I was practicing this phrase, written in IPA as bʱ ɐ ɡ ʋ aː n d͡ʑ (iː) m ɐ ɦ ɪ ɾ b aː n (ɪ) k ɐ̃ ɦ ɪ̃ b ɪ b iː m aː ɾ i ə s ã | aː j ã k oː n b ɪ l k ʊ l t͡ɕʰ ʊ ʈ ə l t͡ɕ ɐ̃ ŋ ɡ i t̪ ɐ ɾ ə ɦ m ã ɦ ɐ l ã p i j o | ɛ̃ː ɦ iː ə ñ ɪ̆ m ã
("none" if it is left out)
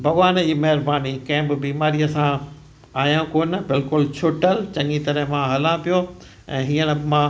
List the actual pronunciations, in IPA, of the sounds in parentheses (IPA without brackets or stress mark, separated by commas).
iː, i